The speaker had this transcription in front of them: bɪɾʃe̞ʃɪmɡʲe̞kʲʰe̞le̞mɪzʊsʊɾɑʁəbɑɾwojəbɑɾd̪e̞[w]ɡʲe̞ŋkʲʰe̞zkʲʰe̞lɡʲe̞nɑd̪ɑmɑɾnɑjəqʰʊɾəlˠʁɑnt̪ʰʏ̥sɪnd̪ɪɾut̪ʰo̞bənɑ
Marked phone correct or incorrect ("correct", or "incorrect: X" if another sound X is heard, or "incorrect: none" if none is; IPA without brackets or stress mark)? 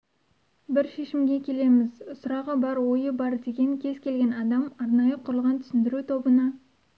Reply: incorrect: none